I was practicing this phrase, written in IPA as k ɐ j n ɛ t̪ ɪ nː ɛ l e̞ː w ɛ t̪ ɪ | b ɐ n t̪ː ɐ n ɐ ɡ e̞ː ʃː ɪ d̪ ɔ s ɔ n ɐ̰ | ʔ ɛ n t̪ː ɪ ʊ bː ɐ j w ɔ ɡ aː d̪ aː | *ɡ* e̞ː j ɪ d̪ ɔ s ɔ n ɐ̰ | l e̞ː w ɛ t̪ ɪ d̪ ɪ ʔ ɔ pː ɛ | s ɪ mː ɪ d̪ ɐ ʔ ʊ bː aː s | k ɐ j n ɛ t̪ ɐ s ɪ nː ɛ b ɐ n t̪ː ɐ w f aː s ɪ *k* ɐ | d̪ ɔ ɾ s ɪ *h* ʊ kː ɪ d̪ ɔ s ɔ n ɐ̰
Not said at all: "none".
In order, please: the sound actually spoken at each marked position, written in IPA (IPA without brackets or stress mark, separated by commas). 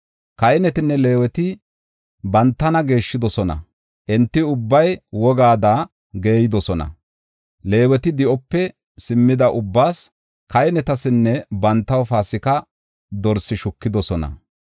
ɡ, k, ʃ